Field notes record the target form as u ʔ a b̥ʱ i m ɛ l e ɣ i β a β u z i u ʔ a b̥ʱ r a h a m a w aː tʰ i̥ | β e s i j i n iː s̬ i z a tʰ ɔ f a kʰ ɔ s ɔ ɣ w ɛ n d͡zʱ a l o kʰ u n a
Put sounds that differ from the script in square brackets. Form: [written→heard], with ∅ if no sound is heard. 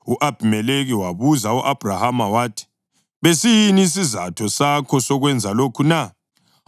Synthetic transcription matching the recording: u ʔ a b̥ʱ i m ɛ l e ɣ i [β→w] a β u z [i→a] u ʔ a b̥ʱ r a h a m a w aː tʰ i̥ | β e s i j i n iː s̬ i z a tʰ ɔ [f→s] a kʰ ɔ s ɔ ɣ w ɛ n d͡zʱ a l o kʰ u n a